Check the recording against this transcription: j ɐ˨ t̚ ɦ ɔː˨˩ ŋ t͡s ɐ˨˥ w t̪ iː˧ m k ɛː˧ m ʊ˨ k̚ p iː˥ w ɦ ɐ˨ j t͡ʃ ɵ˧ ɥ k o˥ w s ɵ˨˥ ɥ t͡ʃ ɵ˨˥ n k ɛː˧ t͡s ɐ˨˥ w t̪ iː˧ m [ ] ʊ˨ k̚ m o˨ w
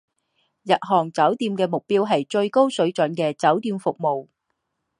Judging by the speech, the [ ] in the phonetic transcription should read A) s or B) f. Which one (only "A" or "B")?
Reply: B